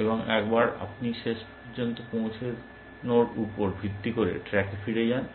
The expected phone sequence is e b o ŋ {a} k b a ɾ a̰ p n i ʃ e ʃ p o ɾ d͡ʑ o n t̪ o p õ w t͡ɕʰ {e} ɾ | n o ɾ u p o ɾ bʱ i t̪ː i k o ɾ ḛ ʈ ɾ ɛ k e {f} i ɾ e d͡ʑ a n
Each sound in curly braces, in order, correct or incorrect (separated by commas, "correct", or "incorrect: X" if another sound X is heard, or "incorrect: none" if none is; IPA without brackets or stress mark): incorrect: ɛ, correct, correct